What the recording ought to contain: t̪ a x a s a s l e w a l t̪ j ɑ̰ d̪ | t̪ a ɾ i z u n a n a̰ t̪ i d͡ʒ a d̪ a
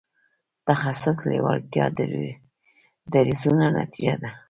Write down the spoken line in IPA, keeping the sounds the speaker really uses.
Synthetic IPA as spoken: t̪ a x a s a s l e w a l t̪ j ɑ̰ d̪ | d̪ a ɾ i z u n a n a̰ t̪ i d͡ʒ a d̪ a